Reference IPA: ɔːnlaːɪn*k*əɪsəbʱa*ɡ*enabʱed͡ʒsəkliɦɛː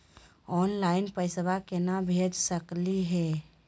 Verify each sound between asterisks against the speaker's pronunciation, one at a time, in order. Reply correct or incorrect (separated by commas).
incorrect, incorrect